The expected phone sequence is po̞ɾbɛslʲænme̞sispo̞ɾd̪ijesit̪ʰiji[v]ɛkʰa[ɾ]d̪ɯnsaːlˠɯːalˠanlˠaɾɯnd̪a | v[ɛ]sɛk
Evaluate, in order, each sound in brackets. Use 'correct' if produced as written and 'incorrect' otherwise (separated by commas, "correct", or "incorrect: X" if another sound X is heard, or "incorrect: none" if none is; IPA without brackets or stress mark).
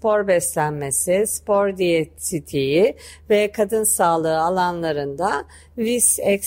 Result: correct, incorrect: none, incorrect: i